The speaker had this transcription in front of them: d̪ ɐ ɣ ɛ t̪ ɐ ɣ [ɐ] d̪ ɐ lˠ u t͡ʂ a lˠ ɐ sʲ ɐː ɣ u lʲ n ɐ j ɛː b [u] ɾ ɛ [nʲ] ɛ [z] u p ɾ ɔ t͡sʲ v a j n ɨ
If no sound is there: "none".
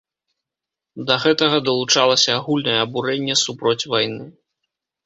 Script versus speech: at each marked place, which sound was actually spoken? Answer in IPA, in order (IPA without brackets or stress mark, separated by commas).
ɐ, u, nʲː, s